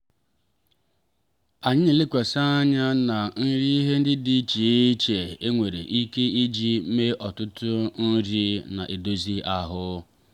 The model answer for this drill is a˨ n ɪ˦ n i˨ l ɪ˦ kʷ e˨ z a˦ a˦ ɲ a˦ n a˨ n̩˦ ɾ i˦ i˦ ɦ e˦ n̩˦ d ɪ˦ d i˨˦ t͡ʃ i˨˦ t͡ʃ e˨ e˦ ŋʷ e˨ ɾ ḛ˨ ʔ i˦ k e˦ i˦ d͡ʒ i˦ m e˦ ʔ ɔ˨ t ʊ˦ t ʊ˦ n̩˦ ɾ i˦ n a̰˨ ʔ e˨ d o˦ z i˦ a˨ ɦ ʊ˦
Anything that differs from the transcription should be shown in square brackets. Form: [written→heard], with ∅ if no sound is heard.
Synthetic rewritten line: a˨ [n→ɲ] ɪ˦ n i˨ l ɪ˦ kʷ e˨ [z→s] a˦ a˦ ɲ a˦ n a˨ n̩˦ ɾ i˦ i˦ ɦ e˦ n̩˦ d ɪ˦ d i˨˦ t͡ʃ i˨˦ t͡ʃ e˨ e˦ ŋʷ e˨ ɾ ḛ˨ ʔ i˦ k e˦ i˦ d͡ʒ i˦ m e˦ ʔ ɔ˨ t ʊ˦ t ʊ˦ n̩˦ ɾ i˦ n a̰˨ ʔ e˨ d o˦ z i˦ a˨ ɦ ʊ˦